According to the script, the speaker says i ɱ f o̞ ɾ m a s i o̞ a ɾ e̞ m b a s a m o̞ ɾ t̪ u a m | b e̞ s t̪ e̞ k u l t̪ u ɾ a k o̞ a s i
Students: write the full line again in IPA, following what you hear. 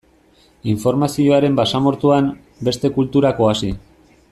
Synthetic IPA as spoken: i ɱ f o̞ ɾ m a s i o̞ a ɾ e̞ m b a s a m o̞ ɾ t̪ u a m | b e̞ s t̪ e̞ k u l t̪ u ɾ a k o̞ a s i